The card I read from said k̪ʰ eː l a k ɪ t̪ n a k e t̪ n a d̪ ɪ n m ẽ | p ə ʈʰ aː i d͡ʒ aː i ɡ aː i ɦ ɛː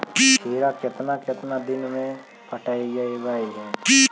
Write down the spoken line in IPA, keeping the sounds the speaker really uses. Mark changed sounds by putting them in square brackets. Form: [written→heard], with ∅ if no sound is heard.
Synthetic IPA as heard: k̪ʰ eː [l→ɾ] a k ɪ t̪ n a k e t̪ n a d̪ ɪ n m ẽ | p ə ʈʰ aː i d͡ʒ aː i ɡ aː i ɦ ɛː